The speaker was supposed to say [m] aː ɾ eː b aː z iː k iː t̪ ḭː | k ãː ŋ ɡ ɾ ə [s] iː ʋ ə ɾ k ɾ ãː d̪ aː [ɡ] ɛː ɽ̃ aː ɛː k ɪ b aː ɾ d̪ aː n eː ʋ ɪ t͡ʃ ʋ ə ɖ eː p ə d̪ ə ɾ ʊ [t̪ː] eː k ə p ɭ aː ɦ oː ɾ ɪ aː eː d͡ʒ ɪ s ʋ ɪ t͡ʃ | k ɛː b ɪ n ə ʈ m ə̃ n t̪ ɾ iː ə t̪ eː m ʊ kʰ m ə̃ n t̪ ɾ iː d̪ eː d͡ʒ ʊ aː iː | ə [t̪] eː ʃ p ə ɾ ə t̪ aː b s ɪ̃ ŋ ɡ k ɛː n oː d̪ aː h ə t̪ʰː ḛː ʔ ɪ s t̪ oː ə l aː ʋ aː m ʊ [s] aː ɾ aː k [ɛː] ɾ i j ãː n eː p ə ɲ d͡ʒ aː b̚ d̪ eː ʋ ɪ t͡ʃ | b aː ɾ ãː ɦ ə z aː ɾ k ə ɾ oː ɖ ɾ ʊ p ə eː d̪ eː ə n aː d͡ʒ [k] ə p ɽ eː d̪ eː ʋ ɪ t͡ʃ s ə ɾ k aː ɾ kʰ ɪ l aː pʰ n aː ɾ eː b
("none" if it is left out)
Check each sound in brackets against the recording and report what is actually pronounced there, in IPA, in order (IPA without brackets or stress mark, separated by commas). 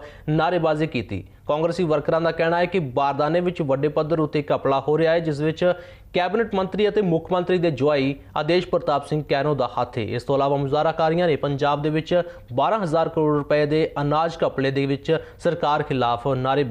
n, s, k, t̪ː, d̪, z, aː, k